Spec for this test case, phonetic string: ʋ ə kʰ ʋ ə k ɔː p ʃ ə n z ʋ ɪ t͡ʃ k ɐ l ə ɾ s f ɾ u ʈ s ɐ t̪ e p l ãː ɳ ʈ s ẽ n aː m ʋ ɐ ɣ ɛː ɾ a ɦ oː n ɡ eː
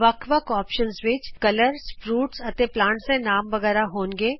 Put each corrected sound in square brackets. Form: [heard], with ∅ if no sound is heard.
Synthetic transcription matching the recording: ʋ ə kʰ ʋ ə k ɔː p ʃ ə n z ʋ ɪ t͡ʃ k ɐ l ə ɾ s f ɾ [uː] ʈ s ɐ t̪ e p l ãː ɳ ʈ s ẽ n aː m ʋ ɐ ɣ ɛː ɾ a ɦ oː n ɡ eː